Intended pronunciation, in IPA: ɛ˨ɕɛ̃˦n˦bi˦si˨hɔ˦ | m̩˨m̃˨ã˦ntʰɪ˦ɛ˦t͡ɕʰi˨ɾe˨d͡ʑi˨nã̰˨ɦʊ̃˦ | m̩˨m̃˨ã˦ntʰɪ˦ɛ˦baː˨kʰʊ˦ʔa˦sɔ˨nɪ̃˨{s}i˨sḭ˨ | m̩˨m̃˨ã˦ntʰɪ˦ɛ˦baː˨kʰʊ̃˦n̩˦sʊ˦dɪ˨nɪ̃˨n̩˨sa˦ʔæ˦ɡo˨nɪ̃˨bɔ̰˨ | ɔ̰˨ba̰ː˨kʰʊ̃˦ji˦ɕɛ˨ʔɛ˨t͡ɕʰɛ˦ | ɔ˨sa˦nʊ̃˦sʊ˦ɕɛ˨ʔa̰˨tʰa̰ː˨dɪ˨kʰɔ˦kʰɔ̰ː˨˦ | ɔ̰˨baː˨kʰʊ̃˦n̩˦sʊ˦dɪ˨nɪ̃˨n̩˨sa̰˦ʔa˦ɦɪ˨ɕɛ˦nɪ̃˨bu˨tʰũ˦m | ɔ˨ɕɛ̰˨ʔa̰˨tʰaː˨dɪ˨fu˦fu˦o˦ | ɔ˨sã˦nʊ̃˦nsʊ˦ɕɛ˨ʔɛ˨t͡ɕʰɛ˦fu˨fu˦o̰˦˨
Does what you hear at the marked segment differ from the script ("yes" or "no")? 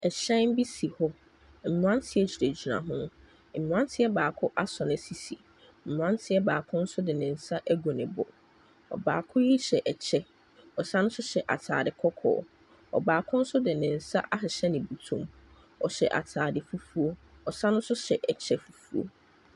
no